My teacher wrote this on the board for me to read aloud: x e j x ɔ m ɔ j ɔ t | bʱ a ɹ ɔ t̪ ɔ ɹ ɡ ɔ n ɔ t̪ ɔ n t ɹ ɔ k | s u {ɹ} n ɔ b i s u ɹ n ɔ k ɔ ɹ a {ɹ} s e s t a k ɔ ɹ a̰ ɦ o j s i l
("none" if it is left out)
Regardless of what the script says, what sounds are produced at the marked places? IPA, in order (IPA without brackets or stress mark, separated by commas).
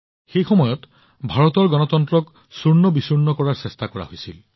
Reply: ɹ, ɹ